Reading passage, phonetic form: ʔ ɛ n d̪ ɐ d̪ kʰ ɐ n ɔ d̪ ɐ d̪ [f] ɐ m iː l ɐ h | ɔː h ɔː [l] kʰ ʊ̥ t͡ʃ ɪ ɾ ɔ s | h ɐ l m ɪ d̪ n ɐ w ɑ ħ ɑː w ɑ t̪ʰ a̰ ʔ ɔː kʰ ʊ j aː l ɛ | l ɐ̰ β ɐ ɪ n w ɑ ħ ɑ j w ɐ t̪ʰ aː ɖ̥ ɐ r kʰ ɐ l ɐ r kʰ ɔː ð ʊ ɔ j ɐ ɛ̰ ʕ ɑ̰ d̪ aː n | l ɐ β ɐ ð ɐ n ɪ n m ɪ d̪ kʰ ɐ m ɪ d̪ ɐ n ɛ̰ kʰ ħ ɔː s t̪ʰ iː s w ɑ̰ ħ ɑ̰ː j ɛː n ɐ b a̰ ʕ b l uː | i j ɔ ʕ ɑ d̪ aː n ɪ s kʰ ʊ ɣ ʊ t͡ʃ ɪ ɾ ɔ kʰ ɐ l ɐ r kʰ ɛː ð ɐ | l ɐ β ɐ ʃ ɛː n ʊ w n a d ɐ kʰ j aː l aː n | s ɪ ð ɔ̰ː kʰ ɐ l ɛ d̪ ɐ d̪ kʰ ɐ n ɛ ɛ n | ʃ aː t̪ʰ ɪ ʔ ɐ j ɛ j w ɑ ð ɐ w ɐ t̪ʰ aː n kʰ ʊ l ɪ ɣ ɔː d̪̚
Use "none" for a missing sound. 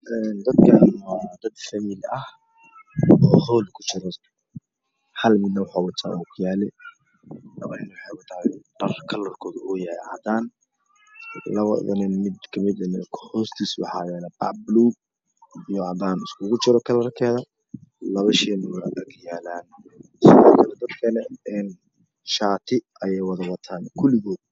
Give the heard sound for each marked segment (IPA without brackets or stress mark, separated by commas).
f, l